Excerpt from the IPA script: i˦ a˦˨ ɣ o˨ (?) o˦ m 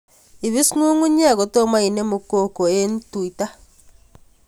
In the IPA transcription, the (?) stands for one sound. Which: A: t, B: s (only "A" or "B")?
A